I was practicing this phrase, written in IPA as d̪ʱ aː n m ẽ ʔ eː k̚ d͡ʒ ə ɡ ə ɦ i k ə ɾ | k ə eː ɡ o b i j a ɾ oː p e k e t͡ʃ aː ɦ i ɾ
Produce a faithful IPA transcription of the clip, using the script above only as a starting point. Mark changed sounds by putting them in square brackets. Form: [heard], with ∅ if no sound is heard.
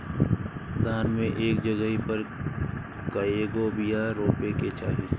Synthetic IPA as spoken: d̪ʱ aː n m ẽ ʔ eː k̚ d͡ʒ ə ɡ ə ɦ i [p] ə ɾ | k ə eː ɡ o b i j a ɾ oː p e k e t͡ʃ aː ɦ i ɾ